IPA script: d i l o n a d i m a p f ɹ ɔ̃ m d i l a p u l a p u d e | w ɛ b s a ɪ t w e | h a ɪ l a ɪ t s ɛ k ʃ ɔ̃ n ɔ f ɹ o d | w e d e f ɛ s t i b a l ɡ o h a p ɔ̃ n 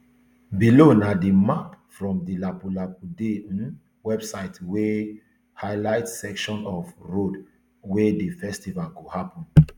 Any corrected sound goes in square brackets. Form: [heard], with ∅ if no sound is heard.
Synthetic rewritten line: [b] i l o n a d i m a p f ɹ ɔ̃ m d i l a p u l a p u d e | w ɛ b s a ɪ t w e | h a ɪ l a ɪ t s ɛ k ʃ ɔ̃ n ɔ f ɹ o d | w e d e f ɛ s t i [v] a l ɡ o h a p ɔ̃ n